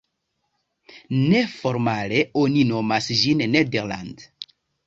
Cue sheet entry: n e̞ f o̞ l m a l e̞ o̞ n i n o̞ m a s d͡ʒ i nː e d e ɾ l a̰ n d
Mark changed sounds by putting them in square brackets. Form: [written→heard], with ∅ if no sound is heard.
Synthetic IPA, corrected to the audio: n e̞ f o̞ [l→ɾ] m a l e̞ o̞ n i n o̞ m a s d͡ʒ i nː e d e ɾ l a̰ n d